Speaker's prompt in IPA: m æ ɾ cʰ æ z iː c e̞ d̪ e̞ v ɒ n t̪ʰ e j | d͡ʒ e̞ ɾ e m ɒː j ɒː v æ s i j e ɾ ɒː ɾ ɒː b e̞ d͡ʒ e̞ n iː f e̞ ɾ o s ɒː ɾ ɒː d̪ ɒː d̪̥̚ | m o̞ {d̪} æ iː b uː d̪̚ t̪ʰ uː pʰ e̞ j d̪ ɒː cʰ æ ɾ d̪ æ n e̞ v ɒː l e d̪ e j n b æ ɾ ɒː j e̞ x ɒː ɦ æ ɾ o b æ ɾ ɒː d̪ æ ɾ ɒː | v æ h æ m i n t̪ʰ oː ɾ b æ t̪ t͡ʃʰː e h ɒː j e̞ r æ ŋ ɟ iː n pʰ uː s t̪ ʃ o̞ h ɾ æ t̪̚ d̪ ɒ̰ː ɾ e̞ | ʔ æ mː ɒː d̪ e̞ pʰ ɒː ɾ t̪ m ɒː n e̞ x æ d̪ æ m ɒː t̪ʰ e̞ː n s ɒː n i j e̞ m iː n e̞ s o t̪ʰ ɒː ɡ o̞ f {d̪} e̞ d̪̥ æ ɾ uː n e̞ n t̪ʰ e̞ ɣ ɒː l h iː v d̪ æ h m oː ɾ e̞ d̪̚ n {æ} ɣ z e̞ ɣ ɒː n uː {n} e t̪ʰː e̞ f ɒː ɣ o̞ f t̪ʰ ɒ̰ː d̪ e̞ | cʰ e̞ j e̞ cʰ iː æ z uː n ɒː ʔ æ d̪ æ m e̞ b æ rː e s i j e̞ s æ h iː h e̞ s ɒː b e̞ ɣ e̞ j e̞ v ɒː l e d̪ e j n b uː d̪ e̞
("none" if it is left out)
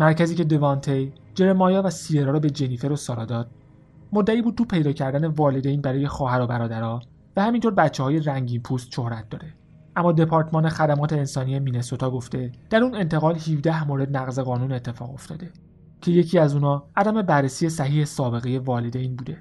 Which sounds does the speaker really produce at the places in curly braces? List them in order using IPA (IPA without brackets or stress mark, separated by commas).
d̪ː, t̪, æ, n